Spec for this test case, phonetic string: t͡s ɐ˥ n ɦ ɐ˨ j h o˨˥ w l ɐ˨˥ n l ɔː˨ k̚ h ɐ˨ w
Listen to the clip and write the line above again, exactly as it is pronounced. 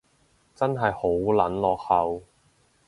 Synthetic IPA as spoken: t͡s ɐ˥ n ɦ ɐ˨ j h o˨˥ w l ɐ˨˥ n l ɔː˨ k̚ h ɐ˨ w